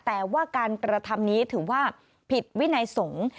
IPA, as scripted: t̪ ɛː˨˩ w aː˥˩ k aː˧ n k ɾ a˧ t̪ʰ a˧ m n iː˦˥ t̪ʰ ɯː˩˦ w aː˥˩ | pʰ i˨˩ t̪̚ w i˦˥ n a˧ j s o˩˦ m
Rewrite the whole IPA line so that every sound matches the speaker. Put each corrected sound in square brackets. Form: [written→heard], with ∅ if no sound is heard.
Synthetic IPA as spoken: t̪ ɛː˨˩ w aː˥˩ k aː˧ n k ɾ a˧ t̪ʰ a˧ m n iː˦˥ t̪ʰ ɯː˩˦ w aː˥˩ | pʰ i˨˩ t̪̚ w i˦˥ n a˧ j s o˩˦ [m→ŋ]